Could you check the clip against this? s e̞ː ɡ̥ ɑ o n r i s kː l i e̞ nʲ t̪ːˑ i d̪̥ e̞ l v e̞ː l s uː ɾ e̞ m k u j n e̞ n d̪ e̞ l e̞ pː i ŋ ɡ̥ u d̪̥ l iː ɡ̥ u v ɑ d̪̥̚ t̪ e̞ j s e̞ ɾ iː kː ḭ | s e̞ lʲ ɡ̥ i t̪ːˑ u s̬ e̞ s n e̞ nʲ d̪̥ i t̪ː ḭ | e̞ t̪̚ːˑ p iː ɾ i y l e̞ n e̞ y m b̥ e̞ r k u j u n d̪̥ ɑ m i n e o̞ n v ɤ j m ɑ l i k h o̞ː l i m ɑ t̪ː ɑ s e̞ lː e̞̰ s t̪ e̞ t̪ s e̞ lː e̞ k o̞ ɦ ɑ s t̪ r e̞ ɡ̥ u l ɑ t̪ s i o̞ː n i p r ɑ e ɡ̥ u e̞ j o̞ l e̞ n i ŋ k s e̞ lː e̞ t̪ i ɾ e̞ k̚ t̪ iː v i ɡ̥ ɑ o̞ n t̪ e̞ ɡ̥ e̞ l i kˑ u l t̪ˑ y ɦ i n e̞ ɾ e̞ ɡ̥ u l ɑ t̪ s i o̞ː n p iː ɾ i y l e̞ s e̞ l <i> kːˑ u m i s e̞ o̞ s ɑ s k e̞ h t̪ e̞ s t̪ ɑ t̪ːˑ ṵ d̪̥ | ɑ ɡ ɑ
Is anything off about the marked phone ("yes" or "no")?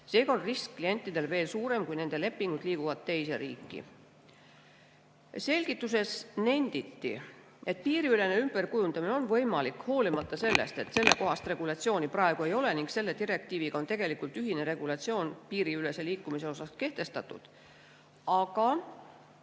yes